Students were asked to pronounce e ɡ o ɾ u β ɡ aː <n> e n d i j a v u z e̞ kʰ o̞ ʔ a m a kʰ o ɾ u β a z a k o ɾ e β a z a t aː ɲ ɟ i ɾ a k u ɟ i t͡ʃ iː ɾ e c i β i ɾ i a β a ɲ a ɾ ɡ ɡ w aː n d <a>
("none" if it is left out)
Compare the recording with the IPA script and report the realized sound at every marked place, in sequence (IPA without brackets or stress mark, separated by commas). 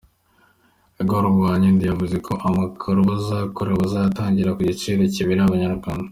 ɲ, a